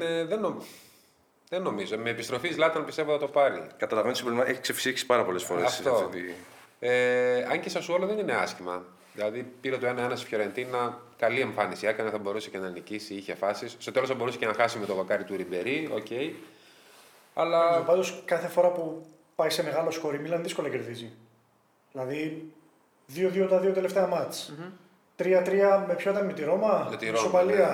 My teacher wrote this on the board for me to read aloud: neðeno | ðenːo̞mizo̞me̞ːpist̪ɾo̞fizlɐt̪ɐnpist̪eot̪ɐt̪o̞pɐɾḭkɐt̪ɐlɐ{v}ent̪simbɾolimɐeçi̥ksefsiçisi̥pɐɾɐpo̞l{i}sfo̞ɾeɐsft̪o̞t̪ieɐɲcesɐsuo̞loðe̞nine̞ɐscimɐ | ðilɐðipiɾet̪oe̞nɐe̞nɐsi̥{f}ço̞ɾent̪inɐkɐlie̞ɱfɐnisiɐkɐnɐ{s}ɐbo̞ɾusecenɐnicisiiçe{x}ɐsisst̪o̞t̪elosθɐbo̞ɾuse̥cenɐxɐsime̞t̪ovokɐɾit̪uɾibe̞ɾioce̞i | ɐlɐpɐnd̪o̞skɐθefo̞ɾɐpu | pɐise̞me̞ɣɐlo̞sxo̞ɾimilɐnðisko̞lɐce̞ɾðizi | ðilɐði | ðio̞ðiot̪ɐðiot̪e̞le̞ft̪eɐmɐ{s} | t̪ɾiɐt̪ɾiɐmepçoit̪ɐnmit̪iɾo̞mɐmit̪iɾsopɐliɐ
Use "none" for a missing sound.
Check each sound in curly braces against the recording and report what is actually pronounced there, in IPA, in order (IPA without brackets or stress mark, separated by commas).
v, e, f, θ, f, t͡s